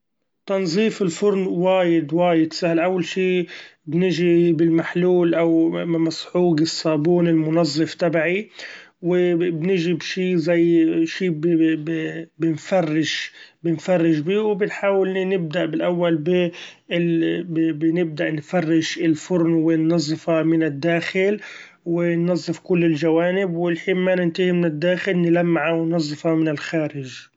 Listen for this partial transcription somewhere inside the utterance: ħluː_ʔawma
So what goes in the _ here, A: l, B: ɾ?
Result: A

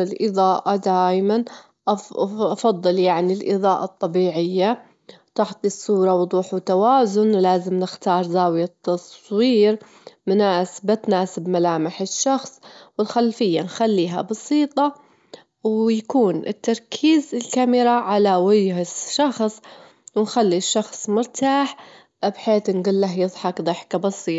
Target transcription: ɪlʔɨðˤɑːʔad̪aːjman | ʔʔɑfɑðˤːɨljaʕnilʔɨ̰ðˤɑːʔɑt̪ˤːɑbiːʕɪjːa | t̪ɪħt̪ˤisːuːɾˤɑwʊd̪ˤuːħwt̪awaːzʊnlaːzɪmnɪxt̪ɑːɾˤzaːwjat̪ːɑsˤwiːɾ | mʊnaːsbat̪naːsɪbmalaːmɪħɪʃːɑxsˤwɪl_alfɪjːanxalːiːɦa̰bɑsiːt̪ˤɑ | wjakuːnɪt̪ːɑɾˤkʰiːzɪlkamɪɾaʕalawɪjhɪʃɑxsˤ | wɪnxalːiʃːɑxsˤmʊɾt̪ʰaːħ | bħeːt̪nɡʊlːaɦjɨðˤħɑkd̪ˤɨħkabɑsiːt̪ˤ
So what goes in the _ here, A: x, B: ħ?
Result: A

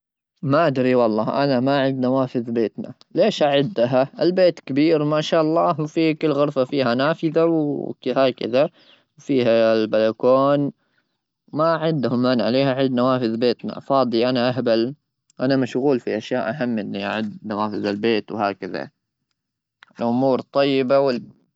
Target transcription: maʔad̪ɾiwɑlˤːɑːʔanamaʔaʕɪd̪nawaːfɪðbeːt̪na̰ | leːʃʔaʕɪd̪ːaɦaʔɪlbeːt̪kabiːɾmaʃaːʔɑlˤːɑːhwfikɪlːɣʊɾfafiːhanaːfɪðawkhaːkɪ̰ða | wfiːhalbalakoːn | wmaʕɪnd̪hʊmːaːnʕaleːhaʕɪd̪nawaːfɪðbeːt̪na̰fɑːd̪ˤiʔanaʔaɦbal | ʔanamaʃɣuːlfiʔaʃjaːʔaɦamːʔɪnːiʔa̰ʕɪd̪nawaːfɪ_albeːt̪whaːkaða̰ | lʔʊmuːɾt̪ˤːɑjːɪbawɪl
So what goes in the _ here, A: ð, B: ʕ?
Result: A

